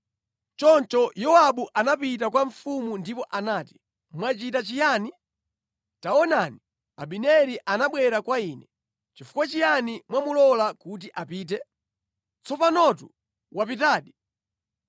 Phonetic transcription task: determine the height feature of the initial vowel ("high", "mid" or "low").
mid